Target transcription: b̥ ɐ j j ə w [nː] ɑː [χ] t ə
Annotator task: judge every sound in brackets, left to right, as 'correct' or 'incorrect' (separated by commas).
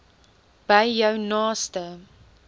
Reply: incorrect, incorrect